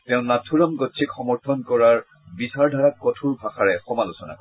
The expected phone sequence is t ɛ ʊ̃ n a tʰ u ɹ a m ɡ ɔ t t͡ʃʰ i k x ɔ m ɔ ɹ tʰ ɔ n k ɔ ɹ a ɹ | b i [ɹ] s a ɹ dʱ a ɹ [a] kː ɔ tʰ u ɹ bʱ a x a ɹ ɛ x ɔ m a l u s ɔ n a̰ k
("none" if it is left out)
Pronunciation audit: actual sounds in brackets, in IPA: none, a

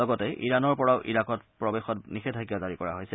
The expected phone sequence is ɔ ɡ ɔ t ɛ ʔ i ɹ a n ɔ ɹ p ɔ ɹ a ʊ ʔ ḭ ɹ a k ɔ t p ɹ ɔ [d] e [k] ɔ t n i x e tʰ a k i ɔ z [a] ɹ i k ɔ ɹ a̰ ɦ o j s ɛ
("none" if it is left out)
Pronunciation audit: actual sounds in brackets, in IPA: b, x, a

